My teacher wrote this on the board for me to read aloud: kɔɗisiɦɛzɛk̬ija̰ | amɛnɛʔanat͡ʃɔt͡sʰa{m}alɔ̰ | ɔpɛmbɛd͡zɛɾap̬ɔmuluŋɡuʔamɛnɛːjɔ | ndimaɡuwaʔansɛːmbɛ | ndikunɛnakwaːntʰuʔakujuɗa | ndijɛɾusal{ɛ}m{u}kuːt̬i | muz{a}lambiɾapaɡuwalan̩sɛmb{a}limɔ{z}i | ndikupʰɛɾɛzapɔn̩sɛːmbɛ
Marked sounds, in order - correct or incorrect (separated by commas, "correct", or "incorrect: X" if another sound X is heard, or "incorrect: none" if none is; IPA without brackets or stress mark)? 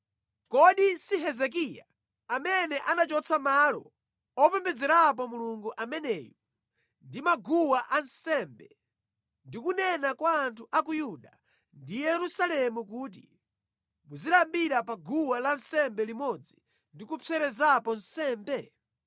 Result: correct, correct, correct, incorrect: i, incorrect: ɛ, incorrect: d͡z